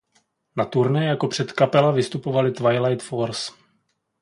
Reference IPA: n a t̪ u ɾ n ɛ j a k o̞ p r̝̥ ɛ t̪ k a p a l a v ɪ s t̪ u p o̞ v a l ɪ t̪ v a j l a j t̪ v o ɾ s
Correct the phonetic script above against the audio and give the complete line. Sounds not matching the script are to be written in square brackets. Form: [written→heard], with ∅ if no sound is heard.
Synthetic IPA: n a t̪ u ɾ n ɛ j a k o̞ p r̝̥ ɛ t̪ k a p [a→ɛ] l a v ɪ s t̪ u p o̞ v a l ɪ t̪ v a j l a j t̪ [v→f] o ɾ s